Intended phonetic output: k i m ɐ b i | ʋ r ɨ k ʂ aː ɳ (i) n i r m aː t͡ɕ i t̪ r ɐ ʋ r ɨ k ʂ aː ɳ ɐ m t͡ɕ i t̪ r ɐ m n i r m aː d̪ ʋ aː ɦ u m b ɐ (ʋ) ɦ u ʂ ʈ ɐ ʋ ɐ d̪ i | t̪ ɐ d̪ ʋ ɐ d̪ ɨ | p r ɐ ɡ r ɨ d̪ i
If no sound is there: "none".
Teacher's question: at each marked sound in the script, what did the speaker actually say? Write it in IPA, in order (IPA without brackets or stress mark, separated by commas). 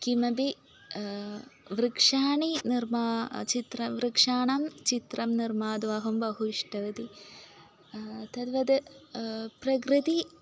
i, none